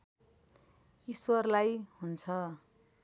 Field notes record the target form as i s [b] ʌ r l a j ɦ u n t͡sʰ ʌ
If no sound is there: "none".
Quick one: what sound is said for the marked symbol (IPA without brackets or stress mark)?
w